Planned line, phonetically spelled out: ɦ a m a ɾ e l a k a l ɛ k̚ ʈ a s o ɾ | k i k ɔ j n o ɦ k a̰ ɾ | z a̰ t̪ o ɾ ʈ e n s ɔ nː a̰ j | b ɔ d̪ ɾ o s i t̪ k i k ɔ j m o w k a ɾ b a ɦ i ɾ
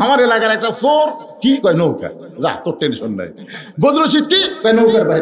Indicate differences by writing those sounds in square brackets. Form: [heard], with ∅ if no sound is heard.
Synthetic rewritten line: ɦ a m a ɾ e l a k a [ɾ] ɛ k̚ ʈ a s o ɾ | k i k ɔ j n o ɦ k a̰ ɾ | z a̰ t̪ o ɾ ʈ e n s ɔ nː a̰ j | b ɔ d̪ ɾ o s i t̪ k i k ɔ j [n] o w k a ɾ b a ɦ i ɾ